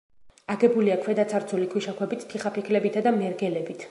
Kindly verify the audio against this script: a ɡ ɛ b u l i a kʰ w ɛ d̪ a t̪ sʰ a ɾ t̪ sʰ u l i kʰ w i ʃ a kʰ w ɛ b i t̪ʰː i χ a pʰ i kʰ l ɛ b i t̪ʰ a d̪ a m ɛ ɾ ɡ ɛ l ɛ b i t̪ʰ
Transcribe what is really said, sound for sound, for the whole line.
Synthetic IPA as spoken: a ɡ ɛ b u l i a kʰ w ɛ d̪ a t̪ sʰ a ɾ t̪ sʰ u l i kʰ w i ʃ a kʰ w ɛ b i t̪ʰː i χ a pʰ i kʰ l ɛ b i t̪ʰ a d̪ a m ɛ ɾ ɡ ɛ l ɛ b i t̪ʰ

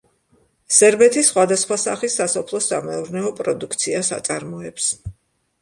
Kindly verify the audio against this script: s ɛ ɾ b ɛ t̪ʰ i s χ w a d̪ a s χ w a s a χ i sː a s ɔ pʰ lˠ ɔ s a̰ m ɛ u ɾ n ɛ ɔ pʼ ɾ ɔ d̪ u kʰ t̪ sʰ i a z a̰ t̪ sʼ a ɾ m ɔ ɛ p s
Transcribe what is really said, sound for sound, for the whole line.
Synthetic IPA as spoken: s ɛ ɾ b ɛ t̪ʰ i s χ w a d̪ a s χ w a s a χ i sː a s ɔ pʰ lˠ ɔ s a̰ m ɛ u ɾ n ɛ ɔ pʼ ɾ ɔ d̪ u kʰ t̪ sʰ i a s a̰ t̪ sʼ a ɾ m ɔ ɛ p s

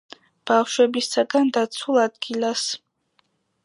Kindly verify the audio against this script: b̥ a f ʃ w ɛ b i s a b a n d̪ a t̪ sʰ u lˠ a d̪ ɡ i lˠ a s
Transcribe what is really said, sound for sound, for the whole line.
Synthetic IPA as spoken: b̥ a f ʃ w ɛ b i s a ɡ a n d̪ a t̪ sʰ u lˠ a d̪ ɡ i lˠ a s

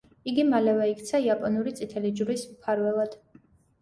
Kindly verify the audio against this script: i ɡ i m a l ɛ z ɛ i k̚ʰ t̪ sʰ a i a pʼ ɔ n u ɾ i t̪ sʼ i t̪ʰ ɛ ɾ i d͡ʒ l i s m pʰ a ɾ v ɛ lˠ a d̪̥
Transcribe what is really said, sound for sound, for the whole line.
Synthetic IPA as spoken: i ɡ i m a l ɛ v ɛ i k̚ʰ t̪ sʰ a i a pʼ ɔ n u ɾ i t̪ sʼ i t̪ʰ ɛ l i d͡ʒ ɾ i s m pʰ a ɾ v ɛ lˠ a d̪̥

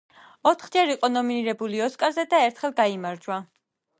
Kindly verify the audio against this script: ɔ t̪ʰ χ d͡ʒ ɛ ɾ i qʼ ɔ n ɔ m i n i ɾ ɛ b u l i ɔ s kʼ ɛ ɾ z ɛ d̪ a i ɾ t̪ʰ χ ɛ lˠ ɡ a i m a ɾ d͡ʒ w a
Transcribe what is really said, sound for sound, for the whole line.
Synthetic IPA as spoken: ɔ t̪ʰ χ d͡ʒ ɛ ɾ i qʼ ɔ n ɔ m i n i ɾ ɛ b u l i ɔ s kʼ a ɾ z ɛ d̪ a ɛ ɾ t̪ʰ χ ɛ lˠ ɡ a i m a ɾ d͡ʒ w a

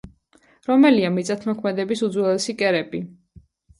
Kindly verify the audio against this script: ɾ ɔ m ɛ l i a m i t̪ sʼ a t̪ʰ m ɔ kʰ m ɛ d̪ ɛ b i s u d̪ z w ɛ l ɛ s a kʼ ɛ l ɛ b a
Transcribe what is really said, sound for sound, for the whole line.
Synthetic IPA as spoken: ɾ ɔ m ɛ l i a m i t̪ sʼ a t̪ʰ m ɔ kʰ m ɛ d̪ ɛ b i s u d̪ z w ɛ l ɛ s i kʼ ɛ ɾ ɛ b i

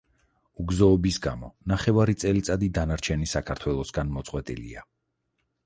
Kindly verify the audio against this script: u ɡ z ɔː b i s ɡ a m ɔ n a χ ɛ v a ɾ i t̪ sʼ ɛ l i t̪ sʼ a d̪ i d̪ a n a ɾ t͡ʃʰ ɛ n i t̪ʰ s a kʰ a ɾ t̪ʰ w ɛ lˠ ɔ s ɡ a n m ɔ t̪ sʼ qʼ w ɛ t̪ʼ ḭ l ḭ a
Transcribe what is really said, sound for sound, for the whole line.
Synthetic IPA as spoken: u ɡ z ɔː b i s ɡ a m ɔ n a χ ɛ v a ɾ i t̪ sʼ ɛ l i t̪ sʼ a d̪ i d̪ a n a ɾ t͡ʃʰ ɛ n i s a kʰ a ɾ t̪ʰ w ɛ lˠ ɔ s ɡ a n m ɔ t̪ sʼ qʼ w ɛ t̪ʼ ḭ l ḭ a

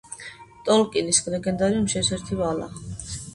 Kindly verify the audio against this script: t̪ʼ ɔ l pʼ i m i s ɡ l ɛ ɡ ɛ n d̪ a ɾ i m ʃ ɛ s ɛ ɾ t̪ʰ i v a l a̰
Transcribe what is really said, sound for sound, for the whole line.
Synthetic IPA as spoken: t̪ʼ ɔ l kʼ i n i s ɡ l ɛ ɡ ɛ n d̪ a ɾ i m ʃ ɛ s ɛ ɾ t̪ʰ i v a l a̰

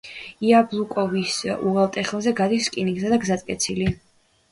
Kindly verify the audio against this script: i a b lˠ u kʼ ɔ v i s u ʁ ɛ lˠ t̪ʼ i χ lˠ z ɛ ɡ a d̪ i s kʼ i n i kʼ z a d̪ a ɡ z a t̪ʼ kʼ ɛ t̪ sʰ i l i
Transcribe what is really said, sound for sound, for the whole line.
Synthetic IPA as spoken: i a b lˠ u kʼ ɔ v i s u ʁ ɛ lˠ t̪ʼ ɛ χ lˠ z ɛ ɡ a d̪ i s kʼ i n i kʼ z a d̪ a ɡ z a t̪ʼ kʼ ɛ t̪ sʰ i l i

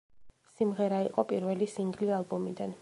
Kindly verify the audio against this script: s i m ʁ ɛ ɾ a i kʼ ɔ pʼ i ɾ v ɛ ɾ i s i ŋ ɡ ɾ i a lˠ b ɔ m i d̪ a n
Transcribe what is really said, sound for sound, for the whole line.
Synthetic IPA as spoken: s i m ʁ ɛ ɾ a i qʼ ɔ pʼ i ɾ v ɛ l i s i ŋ ɡ l i a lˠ b ɔ m i d̪ a n

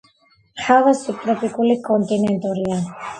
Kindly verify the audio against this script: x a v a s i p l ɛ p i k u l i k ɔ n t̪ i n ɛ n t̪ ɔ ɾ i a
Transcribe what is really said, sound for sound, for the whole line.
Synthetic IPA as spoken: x a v a s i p ɾ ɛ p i k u l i k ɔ n t̪ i n ɛ n t̪ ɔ ɾ i a

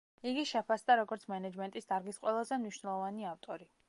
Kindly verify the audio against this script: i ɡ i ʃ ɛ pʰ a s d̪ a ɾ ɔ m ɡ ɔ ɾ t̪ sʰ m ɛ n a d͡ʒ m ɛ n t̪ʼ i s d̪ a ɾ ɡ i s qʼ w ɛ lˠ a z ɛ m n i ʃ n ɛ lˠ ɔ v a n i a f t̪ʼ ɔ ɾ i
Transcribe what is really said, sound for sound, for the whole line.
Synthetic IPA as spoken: i ɡ i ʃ ɛ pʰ a s d̪ a ɾ ɔ ɡ ɔ ɾ t̪ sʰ m ɛ n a d͡ʒ m ɛ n t̪ʼ i s d̪ a ɾ ɡ i s qʼ w ɛ lˠ a z ɛ m n i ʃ n ɛ lˠ ɔ v a n i a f t̪ʼ ɔ ɾ i

